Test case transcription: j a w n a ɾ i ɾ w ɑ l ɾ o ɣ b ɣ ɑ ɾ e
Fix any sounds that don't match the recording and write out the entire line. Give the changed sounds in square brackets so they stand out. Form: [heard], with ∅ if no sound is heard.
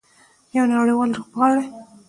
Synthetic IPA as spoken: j a w n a [ɽ] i [∅] w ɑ l ɾ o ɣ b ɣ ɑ [ɽ] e